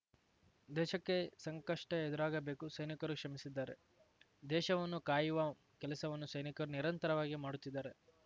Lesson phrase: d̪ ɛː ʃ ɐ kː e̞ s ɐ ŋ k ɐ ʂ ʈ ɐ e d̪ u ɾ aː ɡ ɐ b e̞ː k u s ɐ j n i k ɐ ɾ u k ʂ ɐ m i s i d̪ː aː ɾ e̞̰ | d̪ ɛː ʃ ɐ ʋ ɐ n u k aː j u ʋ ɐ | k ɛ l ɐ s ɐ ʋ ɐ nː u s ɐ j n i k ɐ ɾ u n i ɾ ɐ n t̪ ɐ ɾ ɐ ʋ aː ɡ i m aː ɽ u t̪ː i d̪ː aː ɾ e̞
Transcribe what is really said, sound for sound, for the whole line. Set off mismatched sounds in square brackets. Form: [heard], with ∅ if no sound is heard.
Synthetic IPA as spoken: d̪ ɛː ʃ ɐ kː e̞ s ɐ ŋ k ɐ ʂ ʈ ɐ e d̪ u ɾ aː ɡ ɐ b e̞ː k u s ɐ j n i k ɐ ɾ u k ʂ ɐ m i s i d̪ː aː ɾ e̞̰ | d̪ ɛː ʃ ɐ ʋ ɐ [nː] u k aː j u ʋ ɐ | k ɛ l ɐ s ɐ ʋ ɐ nː u s ɐ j n i k ɐ ɾ u n i ɾ ɐ n t̪ ɐ ɾ ɐ ʋ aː ɡ i m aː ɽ u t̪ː i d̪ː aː ɾ e̞